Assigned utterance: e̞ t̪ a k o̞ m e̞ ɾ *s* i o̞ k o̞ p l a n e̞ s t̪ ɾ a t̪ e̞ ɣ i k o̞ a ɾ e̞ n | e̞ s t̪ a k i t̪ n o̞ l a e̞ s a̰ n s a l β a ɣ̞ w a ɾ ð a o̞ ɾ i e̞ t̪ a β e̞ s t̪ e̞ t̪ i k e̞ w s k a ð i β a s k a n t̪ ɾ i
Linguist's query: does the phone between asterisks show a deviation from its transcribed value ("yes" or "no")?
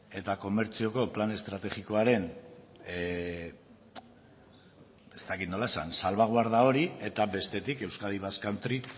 yes